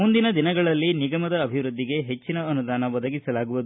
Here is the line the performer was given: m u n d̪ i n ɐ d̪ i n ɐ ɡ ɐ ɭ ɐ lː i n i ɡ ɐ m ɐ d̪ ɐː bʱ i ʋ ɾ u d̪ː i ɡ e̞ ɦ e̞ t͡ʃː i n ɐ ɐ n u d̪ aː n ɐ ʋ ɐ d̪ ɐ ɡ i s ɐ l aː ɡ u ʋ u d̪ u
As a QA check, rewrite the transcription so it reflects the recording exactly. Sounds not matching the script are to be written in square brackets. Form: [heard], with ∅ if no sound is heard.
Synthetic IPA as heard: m u n d̪ i n ɐ d̪ i n ɐ ɡ ɐ ɭ ɐ lː i n i ɡ ɐ m ɐ d̪ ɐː bʱ i ʋ ɾ u d̪ː i ɡ e̞ ɦ e̞ t͡ʃː i n ɐ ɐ n u d̪ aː n ɐ ʋ ɐ d̪ ɐ ɡ i s ɐ l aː ɡ u ʋ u d̪ u